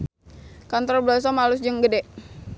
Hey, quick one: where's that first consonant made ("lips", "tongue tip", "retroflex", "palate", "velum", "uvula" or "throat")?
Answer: velum